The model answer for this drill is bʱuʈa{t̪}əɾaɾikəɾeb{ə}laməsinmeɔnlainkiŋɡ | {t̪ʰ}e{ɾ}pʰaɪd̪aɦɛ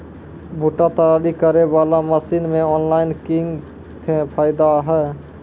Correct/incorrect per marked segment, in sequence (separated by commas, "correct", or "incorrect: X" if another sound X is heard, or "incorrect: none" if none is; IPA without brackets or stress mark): correct, incorrect: a, correct, incorrect: none